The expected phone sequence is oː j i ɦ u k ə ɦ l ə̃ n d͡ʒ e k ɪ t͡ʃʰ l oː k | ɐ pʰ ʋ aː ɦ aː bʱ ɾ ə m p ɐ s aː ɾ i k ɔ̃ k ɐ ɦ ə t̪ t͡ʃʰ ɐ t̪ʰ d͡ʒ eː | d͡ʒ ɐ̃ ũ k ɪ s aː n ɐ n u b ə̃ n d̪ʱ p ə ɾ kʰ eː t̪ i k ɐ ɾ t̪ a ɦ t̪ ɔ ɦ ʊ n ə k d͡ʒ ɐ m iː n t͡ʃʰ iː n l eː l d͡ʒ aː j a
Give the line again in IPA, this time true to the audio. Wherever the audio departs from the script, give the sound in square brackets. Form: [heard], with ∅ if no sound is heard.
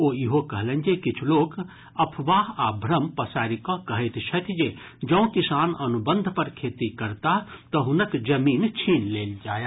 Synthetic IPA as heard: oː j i ɦ [o] k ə ɦ l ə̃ n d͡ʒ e k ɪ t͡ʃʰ l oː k | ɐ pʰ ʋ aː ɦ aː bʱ ɾ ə m p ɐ s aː ɾ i k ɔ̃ k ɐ ɦ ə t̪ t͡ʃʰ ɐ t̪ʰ d͡ʒ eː | d͡ʒ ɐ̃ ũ k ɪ s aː n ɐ n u b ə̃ n d̪ʱ p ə ɾ kʰ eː t̪ i k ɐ ɾ t̪ a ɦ t̪ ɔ ɦ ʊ n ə k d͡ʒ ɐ m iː n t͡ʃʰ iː n l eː l d͡ʒ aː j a